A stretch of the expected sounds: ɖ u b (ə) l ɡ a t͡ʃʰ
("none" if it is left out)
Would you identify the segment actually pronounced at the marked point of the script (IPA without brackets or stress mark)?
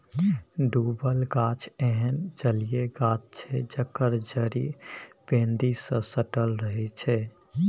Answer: ə